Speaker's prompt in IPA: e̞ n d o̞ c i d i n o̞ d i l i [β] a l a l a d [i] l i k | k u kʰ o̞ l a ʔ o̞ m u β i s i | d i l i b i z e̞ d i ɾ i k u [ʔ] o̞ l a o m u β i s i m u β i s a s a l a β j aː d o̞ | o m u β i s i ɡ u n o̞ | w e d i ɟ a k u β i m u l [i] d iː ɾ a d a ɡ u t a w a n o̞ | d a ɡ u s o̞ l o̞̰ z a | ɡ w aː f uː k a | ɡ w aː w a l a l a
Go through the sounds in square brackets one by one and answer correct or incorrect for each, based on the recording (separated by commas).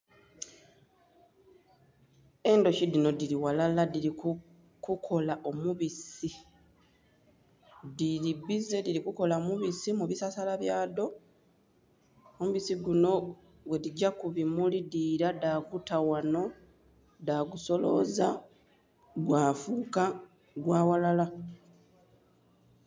incorrect, correct, incorrect, correct